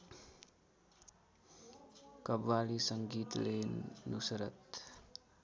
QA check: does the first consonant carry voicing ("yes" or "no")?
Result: no